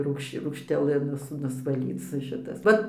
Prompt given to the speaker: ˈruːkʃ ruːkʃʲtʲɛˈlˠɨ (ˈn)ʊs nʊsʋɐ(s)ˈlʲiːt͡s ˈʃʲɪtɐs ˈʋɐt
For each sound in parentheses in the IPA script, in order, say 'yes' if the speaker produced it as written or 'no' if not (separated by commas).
yes, no